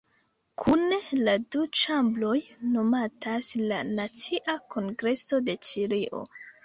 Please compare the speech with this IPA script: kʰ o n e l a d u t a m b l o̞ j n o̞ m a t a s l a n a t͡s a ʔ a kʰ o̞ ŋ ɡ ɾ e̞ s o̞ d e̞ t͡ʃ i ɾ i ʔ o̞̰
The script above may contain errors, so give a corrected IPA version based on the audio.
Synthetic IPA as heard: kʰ u n e l a d u t͡ʃ a m b l o̞ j n o̞ m a t a s l a n a t͡s i ʔ a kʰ o̞ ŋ ɡ ɾ e̞ s o̞ d e̞ t͡ʃ i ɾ i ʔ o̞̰